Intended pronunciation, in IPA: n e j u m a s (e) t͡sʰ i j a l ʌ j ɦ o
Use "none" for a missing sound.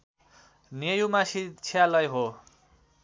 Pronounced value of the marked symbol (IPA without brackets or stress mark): i